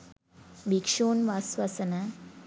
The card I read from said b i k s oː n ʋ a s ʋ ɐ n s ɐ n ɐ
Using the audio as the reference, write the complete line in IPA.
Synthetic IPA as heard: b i k ʂ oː n ʋ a s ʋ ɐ s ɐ n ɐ